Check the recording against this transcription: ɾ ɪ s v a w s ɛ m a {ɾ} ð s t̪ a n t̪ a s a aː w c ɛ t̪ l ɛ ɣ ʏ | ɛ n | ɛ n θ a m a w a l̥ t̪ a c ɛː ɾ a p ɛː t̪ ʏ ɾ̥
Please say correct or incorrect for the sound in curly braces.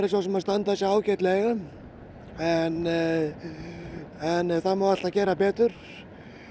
incorrect